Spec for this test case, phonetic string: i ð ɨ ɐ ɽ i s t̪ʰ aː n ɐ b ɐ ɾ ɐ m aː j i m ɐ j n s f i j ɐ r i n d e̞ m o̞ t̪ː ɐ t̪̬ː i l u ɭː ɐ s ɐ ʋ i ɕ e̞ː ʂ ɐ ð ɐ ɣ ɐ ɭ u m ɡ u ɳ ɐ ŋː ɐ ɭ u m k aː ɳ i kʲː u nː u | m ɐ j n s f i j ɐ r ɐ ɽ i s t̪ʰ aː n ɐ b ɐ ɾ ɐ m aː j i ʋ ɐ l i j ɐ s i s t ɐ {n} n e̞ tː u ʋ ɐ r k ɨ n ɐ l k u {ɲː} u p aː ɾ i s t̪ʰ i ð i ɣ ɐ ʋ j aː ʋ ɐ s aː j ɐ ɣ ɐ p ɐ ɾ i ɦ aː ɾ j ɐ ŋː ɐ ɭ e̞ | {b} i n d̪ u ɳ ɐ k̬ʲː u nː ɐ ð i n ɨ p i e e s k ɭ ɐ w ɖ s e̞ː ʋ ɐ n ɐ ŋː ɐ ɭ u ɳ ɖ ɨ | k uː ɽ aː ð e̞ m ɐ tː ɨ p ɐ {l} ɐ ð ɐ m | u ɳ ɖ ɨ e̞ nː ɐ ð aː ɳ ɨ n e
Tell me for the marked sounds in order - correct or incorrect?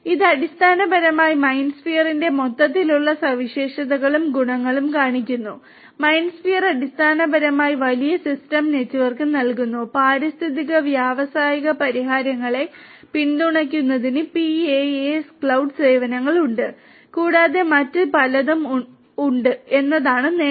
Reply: incorrect: m, incorrect: nː, incorrect: p, correct

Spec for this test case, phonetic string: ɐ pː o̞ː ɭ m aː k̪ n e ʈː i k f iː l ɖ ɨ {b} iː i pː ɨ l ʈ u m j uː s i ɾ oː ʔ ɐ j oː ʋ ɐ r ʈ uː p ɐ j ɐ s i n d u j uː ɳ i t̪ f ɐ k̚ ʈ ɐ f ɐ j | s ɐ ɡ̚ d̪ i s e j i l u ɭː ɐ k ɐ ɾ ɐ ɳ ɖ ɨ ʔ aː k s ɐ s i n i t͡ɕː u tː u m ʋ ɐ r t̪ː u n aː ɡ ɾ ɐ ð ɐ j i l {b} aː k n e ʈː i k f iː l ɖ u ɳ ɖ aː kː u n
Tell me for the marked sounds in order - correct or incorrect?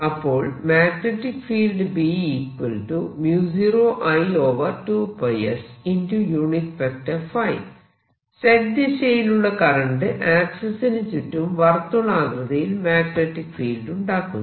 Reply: correct, incorrect: m

